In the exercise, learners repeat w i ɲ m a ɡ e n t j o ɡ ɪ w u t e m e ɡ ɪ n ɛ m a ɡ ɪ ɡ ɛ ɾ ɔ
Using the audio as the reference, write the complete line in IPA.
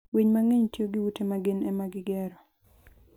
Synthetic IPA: w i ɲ m a ŋ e ɲ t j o ɡ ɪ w u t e m a ɡ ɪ n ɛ m a ɡ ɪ ɡ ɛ ɾ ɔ